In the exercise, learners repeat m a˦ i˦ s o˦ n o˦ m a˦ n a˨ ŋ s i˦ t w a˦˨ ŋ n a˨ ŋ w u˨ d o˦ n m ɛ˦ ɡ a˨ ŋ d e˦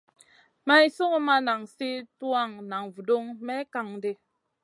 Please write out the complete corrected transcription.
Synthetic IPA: m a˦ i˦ s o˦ ŋ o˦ m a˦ n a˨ ŋ s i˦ t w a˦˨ ŋ n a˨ ŋ v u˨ d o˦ ŋ m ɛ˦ k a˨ ŋ d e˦